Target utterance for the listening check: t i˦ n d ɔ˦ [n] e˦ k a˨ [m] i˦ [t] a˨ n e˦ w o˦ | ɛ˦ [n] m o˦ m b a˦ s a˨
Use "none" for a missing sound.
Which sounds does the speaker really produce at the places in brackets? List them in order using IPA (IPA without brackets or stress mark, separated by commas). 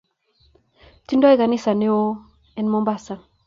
none, n, s, n